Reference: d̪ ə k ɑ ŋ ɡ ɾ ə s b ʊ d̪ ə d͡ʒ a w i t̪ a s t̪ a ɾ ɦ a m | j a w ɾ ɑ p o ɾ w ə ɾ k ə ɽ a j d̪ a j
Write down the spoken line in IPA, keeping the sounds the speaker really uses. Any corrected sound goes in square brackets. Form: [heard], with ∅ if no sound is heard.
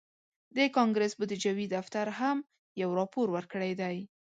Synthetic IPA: d̪ ə k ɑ ŋ ɡ ɾ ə s b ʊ d̪ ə d͡ʒ a w i [d̪] a [f] t̪ a ɾ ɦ a m | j a w ɾ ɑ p o ɾ w ə ɾ k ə ɽ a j d̪ a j